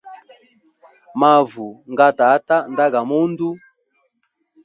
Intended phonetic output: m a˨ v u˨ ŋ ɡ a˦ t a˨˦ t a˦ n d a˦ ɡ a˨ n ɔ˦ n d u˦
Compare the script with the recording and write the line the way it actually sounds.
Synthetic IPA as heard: m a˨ v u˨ ŋ ɡ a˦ t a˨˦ t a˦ n d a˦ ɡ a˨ m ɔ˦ n d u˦

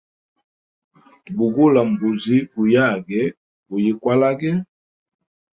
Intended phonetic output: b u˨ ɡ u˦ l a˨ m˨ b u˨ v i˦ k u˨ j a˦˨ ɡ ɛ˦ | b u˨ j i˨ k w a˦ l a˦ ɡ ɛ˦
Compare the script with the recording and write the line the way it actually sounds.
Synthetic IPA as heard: b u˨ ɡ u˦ l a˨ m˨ b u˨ z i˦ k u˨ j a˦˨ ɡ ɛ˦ | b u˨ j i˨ k w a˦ l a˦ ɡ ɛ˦

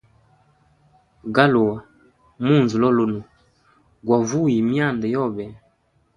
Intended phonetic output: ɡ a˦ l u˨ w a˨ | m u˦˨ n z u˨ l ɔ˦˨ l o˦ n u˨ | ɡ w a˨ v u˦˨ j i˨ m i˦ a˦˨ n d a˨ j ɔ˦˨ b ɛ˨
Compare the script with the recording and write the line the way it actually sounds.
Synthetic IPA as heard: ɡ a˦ l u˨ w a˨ | m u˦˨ n z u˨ l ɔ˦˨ l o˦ n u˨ | ɡ w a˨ v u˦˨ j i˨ m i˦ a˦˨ n d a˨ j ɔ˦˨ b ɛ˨

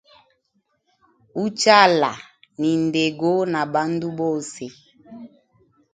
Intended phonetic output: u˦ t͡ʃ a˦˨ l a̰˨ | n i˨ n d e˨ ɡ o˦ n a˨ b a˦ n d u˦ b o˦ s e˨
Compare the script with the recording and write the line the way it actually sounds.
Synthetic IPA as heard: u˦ t͡ʃ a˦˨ l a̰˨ | n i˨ n d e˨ ɡ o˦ n a˨ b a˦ n d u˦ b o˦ s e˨

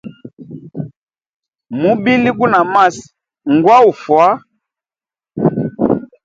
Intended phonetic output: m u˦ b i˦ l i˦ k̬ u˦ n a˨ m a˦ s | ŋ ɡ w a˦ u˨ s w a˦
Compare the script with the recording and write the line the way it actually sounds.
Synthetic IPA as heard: m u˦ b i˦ l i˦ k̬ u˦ n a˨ m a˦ s | ŋ ɡ w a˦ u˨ f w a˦

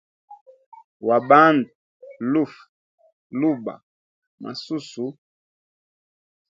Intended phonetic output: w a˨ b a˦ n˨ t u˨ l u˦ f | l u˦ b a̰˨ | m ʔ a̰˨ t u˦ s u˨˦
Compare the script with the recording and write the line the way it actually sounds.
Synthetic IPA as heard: w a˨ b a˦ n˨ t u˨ l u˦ f | l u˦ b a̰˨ | m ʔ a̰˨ s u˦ s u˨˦

